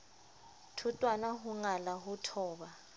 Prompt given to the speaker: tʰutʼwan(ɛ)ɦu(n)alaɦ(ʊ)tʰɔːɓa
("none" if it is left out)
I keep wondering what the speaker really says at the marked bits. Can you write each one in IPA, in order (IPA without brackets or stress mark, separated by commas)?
a, ŋ, u